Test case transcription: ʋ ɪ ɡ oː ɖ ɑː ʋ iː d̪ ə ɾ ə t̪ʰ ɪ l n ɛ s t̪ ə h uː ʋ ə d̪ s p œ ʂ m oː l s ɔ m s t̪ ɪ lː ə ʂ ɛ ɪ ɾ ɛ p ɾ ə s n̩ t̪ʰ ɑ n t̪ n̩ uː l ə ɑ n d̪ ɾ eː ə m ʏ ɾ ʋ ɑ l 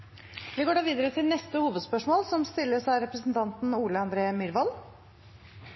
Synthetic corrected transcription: ʋ ɪ ɡ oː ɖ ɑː ʋ iː d̪ ə ɾ ə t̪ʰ ɪ l n ɛ s t̪ ə h uː ʋ ə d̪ s p œ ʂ m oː l s ɔ m s t̪ ɪ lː ə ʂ æ ɪ ɾ ɛ p ɾ ə s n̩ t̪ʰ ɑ n t̪ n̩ uː l ə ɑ n d̪ ɾ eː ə m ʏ ɾ ʋ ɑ l